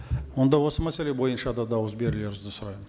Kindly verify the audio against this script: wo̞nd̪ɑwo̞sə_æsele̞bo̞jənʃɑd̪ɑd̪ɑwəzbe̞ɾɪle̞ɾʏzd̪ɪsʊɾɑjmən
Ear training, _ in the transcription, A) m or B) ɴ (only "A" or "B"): A